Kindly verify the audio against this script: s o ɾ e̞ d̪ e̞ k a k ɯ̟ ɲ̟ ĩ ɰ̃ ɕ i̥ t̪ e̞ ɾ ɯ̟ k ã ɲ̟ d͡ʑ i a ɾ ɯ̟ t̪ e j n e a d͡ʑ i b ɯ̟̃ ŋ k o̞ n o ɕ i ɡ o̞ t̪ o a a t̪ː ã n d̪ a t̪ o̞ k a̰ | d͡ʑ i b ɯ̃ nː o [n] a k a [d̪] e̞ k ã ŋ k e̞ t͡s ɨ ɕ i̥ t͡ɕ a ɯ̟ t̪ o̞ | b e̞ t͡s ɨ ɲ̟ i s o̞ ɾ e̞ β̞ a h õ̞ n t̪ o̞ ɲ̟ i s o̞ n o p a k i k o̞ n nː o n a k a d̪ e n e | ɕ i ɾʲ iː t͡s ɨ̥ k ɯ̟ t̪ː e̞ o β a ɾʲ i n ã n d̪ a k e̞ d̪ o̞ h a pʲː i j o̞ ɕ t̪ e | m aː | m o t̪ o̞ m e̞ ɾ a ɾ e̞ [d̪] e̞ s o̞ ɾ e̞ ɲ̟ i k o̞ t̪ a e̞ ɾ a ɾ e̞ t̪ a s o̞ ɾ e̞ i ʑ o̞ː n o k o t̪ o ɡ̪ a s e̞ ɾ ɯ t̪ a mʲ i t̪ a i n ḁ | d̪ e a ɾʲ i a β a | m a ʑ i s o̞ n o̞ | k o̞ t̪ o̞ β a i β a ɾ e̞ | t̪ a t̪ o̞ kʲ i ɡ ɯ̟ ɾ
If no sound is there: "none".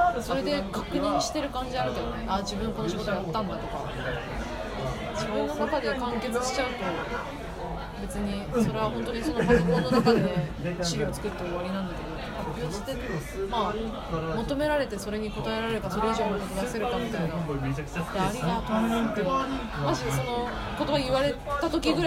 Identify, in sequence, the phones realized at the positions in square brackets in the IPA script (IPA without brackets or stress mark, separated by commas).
n, d̪, t̪